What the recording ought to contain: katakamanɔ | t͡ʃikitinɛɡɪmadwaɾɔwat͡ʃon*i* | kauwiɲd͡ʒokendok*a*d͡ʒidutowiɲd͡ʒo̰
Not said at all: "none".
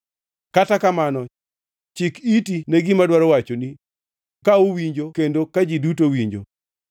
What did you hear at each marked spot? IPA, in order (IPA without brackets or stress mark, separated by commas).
i, a